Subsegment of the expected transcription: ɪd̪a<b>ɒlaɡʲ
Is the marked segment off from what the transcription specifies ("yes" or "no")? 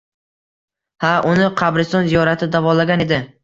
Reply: yes